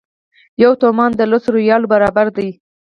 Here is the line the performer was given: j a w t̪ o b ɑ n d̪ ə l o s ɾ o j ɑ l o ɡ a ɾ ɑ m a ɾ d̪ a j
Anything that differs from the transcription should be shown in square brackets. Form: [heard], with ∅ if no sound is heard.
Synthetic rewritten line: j a w t̪ o [m] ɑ n d̪ ə l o s ɾ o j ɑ l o [b] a ɾ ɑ [b] a ɾ d̪ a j